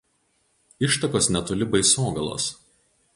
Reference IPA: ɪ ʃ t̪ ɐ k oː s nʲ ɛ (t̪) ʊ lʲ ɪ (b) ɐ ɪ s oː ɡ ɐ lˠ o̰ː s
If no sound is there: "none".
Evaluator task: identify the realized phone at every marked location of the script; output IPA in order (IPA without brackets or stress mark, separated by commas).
t̪, b